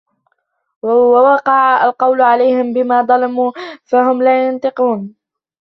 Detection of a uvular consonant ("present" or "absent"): present